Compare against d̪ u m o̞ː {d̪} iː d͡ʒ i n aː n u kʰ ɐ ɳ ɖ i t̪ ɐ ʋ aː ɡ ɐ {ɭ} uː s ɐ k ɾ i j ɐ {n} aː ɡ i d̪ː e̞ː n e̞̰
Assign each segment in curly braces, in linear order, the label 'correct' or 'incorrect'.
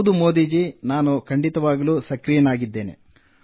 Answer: correct, incorrect, correct

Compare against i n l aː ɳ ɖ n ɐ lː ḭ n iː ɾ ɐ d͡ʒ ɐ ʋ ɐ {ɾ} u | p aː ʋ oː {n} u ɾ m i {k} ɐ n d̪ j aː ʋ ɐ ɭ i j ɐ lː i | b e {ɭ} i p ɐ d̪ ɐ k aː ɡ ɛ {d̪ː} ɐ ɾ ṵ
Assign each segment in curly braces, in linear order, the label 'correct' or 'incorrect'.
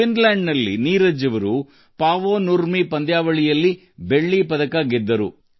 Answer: correct, correct, incorrect, incorrect, correct

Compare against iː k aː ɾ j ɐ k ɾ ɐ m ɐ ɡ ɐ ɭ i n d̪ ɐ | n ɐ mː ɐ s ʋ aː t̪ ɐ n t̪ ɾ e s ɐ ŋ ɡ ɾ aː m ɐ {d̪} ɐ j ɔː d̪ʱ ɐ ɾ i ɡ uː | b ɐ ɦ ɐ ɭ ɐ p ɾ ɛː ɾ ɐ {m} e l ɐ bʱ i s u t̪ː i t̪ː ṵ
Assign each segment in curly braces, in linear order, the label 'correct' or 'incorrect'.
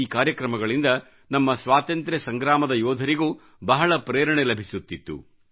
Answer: correct, incorrect

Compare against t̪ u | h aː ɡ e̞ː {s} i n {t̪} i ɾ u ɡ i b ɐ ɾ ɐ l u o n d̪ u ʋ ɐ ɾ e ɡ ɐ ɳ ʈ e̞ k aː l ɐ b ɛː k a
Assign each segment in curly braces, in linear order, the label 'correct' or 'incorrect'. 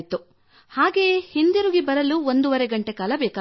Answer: incorrect, incorrect

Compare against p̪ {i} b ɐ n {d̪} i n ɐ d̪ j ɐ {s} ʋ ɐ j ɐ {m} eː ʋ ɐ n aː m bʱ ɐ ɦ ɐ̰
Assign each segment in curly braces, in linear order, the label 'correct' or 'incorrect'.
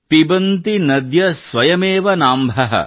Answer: correct, incorrect, correct, correct

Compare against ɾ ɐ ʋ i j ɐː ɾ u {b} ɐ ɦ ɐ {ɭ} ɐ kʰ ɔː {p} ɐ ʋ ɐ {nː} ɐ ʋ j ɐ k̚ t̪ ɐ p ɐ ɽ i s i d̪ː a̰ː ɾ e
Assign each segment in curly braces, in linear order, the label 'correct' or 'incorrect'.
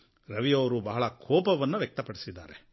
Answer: correct, correct, correct, correct

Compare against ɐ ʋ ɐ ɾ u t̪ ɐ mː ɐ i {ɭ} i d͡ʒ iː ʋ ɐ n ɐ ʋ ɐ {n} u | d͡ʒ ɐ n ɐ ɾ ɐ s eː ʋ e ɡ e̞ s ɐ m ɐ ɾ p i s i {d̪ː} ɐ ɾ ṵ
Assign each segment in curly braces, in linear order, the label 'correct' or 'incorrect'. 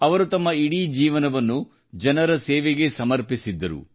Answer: incorrect, incorrect, correct

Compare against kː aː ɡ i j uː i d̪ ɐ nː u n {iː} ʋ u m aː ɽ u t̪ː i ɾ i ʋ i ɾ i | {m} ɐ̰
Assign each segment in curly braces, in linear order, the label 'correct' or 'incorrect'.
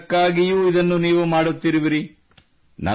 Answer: correct, incorrect

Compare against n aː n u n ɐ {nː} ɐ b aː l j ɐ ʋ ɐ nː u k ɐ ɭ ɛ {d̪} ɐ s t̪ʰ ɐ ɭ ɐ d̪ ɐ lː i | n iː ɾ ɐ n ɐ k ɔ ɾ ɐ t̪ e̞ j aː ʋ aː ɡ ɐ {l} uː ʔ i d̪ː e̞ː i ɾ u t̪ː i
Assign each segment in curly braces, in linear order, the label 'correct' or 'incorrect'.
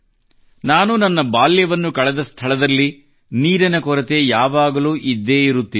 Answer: correct, correct, correct

